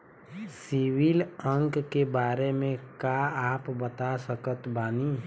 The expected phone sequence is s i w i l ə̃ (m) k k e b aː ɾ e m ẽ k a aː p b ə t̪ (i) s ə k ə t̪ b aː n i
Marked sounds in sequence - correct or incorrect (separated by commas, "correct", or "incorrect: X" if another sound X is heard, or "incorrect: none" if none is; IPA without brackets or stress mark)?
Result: incorrect: ŋ, incorrect: a